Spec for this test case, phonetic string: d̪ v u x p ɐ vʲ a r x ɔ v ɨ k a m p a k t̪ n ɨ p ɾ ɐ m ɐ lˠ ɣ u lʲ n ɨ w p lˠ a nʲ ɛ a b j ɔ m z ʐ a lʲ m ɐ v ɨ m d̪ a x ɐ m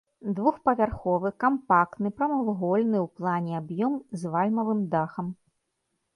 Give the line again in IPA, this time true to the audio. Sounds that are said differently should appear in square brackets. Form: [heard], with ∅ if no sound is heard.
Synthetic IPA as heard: d̪ v u x p ɐ vʲ a r x ɔ v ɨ k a m p a k t̪ n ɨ p ɾ ɐ m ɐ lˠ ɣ [ɔ] lʲ n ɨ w p lˠ a nʲ ɛ a b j ɔ m z [v] a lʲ m ɐ v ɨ m d̪ a x ɐ m